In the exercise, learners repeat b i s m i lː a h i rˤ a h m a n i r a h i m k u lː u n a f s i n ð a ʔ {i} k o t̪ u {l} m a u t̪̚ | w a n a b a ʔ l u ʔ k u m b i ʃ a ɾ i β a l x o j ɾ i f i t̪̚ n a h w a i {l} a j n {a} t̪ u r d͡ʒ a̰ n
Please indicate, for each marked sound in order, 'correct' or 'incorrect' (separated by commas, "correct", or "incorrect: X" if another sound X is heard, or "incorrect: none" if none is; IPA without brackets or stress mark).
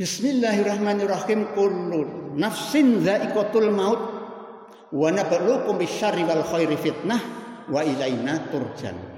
correct, correct, correct, correct